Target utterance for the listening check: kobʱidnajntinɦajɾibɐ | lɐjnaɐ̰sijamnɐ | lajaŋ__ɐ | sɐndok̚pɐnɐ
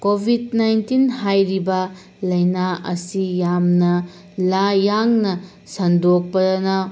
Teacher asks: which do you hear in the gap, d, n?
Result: n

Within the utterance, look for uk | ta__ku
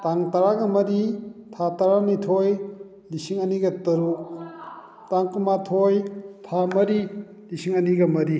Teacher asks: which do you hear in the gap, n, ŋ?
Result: ŋ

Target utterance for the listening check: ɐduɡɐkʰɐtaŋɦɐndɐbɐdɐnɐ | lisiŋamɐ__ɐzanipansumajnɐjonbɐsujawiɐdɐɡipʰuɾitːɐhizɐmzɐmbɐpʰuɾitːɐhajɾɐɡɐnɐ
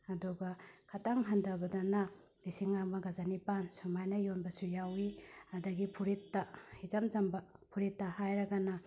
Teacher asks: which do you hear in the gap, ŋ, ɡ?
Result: ɡ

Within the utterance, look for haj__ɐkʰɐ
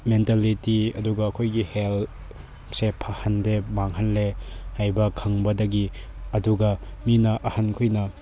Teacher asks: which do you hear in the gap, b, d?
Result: b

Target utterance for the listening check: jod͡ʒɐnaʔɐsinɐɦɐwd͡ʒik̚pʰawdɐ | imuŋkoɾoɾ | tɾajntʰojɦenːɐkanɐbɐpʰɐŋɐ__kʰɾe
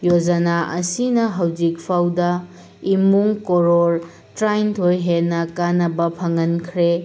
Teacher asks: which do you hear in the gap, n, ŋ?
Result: n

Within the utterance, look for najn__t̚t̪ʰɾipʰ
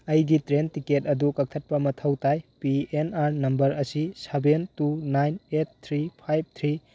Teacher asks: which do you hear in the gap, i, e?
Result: e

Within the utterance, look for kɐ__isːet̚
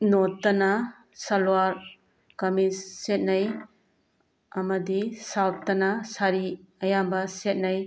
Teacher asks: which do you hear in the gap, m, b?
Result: m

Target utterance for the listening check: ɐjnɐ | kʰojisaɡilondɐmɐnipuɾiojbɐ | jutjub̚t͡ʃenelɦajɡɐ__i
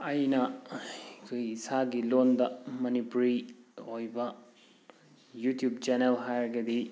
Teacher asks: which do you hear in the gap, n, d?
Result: d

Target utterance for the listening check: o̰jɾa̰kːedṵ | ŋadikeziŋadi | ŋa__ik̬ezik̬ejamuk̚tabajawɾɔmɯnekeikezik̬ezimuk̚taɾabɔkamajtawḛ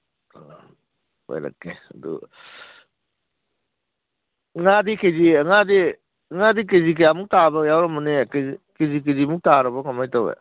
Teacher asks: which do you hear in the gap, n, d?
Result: d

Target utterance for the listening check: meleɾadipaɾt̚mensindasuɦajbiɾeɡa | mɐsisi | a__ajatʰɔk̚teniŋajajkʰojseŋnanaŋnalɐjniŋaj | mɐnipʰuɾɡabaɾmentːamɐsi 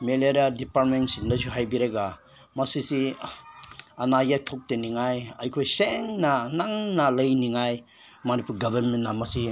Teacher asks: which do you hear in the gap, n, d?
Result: n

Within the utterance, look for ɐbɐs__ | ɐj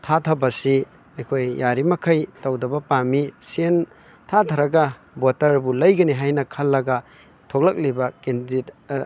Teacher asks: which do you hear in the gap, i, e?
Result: i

